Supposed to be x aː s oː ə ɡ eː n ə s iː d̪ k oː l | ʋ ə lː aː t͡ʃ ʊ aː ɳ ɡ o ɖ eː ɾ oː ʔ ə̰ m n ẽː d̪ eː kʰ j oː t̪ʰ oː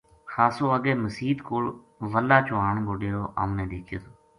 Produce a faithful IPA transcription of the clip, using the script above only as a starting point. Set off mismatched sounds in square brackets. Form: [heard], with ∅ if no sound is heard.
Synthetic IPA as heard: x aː s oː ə ɡ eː [m] ə s iː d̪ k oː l | ʋ ə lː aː t͡ʃ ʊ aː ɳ ɡ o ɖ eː ɾ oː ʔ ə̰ m n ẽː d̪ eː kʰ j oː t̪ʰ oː

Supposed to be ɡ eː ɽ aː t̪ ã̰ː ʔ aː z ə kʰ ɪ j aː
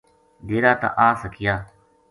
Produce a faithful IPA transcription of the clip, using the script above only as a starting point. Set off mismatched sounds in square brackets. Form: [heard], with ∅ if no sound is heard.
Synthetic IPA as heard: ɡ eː [ɾ] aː t̪ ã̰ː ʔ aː [s] ə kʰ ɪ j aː

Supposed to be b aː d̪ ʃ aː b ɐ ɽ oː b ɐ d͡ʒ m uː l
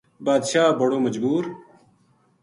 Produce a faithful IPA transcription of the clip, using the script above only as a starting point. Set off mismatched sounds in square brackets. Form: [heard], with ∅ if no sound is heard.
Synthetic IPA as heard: b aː d̪ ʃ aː b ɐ ɽ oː [m] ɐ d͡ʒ [b] uː [ɾ]

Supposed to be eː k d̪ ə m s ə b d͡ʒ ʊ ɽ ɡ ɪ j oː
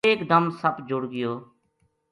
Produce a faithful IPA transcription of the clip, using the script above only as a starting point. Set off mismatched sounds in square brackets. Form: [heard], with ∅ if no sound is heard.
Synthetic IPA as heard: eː k d̪ ə m s ə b d͡ʒ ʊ ɽ ɡ ɪ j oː

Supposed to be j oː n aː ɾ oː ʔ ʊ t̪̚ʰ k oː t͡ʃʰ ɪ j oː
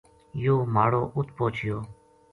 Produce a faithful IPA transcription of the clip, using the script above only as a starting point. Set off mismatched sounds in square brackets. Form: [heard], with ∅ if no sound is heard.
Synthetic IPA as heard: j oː [m] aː [ɽ] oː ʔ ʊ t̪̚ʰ [p] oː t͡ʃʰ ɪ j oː

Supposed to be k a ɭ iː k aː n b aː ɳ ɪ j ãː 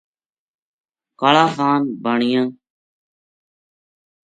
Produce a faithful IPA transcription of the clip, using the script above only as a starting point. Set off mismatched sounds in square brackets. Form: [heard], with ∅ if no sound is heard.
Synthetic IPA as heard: k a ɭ [aː] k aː n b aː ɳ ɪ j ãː

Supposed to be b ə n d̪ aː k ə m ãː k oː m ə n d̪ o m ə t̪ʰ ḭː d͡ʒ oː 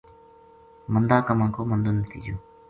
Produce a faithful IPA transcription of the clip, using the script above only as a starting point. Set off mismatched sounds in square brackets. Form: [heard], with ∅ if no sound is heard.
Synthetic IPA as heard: [m] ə n d̪ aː k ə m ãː k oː m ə n d̪ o [n] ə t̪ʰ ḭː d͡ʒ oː

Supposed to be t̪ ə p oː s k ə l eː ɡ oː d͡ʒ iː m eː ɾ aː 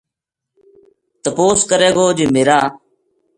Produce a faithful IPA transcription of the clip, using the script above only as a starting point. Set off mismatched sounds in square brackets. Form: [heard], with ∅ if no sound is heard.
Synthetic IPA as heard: t̪ ə p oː s k ə [ɾ] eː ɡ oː d͡ʒ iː m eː ɾ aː

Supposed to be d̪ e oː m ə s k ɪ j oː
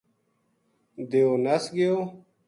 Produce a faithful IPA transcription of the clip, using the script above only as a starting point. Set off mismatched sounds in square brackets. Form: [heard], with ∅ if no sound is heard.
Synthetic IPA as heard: d̪ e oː [n] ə s [ɡ] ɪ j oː

